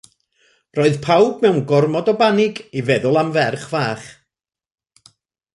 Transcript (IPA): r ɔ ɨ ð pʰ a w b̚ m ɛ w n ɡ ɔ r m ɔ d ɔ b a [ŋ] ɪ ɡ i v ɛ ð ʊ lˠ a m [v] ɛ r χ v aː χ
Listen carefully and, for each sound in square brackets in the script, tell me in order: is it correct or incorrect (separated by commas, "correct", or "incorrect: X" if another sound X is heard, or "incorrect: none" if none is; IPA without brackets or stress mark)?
incorrect: n, correct